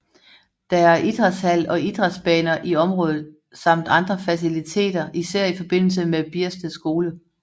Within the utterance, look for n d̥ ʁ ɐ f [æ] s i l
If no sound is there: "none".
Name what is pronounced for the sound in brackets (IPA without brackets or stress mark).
æ